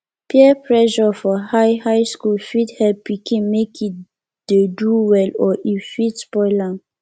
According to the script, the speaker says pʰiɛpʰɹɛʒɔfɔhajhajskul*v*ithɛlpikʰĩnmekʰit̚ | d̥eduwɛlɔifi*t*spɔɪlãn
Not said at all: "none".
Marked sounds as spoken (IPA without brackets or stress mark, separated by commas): f, t